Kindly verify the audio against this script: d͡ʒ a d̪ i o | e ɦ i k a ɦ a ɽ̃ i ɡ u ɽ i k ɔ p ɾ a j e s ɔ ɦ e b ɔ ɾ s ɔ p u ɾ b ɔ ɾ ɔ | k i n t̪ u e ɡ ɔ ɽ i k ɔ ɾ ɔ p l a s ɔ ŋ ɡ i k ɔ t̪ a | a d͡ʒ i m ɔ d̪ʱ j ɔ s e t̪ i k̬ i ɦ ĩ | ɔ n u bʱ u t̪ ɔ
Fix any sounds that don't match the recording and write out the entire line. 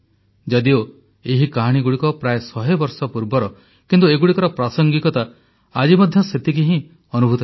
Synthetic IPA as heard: d͡ʒ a d̪ i o | e ɦ i k a ɦ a ɽ̃ i ɡ u ɽ i k ɔ p ɾ a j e s ɔ ɦ e b ɔ ɾ s ɔ p u ɾ b ɔ ɾ ɔ | k i n t̪ u e ɡ u ɽ i k ɔ ɾ ɔ p ɾ a s ɔ ŋ ɡ i k ɔ t̪ a | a d͡ʒ i m ɔ d̪ʱ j ɔ s e t̪ i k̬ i ɦ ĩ | ɔ n u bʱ u t̪ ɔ